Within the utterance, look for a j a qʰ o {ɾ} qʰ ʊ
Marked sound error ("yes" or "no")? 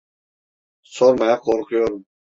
no